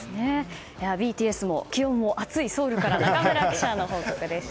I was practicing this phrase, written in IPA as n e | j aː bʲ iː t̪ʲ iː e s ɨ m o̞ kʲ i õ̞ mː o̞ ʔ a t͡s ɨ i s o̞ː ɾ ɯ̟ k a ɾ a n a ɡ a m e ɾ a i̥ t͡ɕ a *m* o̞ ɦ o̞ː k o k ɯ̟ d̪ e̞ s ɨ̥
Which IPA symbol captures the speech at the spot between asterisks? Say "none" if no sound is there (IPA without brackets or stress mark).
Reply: n